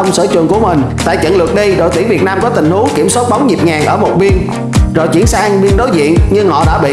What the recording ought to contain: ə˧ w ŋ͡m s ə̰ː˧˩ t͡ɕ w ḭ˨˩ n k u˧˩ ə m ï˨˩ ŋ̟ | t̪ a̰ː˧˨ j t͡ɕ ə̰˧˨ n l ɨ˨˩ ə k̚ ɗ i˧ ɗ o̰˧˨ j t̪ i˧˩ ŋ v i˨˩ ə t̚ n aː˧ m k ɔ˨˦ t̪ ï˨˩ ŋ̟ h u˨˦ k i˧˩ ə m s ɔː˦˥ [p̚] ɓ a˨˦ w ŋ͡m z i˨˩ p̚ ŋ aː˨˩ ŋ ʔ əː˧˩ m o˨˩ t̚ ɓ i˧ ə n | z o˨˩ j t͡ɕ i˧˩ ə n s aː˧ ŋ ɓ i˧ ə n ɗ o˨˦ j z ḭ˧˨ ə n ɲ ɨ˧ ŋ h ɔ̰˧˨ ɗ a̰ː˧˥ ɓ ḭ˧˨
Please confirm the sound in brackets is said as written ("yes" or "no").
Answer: no